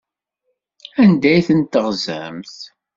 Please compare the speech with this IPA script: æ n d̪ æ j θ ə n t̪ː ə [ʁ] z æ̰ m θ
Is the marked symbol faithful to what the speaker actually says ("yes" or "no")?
yes